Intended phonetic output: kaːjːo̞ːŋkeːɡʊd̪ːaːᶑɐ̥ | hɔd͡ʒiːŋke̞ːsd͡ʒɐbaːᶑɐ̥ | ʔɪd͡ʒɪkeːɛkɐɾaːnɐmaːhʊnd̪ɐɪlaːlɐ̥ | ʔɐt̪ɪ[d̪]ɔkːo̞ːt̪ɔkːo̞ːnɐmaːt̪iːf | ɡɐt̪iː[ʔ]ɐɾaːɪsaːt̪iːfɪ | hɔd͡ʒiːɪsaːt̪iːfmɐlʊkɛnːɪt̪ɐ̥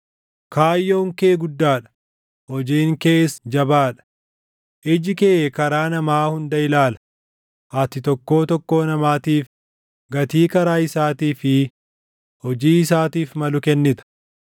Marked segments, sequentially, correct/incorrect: incorrect, incorrect

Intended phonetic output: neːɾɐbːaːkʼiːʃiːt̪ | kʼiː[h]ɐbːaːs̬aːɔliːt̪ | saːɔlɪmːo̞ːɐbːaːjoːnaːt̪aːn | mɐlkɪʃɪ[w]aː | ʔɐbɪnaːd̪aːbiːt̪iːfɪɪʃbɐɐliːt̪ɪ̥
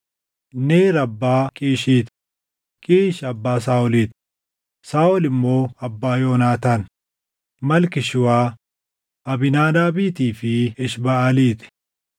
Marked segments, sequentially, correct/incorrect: incorrect, correct

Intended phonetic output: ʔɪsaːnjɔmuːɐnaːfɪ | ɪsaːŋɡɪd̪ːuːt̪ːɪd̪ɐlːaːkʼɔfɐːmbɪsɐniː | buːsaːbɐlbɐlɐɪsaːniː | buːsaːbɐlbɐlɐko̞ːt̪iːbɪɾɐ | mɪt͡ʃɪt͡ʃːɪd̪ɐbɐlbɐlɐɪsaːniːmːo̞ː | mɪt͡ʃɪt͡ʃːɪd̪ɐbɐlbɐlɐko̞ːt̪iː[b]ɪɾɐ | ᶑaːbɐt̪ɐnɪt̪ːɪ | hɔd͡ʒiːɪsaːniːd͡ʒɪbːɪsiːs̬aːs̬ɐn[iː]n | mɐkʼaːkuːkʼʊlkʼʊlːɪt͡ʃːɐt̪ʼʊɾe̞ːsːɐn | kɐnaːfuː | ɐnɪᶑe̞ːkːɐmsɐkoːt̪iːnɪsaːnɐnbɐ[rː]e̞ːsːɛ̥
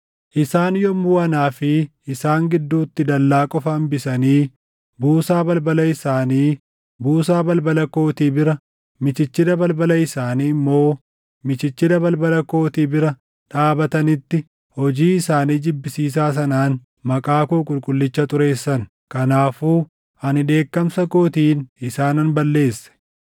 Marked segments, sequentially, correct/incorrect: correct, incorrect, incorrect

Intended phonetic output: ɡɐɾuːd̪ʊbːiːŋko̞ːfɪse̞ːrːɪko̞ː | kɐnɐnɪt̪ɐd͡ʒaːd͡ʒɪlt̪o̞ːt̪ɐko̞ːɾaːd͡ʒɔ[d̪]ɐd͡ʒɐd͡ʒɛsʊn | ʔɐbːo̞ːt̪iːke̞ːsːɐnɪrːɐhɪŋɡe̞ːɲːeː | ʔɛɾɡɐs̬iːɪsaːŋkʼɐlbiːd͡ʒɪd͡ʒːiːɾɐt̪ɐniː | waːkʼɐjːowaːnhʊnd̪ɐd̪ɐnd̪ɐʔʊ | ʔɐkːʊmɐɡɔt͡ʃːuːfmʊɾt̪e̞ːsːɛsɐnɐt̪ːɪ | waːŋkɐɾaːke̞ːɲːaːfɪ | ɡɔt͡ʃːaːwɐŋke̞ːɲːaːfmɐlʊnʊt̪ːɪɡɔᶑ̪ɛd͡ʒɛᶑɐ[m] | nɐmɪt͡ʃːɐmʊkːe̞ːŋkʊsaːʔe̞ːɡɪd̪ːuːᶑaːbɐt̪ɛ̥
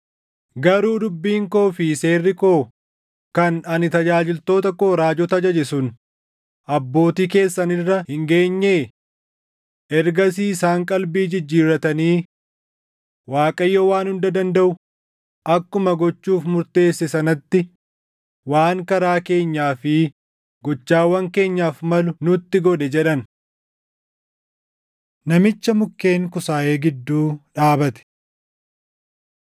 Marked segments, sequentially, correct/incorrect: incorrect, incorrect

